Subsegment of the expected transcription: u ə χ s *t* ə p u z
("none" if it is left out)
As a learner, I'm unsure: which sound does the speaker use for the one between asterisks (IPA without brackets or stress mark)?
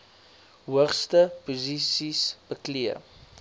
t